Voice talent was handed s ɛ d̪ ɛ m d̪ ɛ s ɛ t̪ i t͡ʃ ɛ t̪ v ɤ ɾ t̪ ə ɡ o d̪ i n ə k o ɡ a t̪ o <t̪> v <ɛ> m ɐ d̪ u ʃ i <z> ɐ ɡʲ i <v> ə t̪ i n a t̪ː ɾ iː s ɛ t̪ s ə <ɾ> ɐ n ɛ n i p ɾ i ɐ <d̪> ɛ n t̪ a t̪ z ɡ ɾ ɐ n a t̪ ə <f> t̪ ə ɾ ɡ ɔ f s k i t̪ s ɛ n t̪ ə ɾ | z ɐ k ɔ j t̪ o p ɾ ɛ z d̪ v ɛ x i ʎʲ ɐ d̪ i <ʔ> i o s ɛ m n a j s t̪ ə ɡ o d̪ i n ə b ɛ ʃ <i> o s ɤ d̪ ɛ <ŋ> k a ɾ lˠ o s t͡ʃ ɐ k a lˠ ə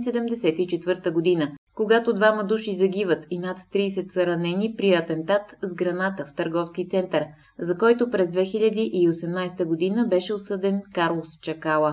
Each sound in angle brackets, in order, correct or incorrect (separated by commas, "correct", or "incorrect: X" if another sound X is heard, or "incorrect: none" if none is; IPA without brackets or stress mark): incorrect: d̪, incorrect: a, correct, correct, correct, incorrect: t̪, correct, correct, incorrect: ɛ, incorrect: n